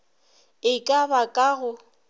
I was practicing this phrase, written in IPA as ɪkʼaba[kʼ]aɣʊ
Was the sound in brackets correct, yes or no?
yes